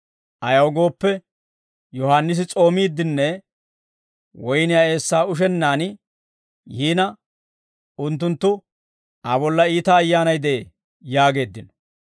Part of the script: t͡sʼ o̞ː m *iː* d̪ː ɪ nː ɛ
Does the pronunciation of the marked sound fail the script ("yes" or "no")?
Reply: no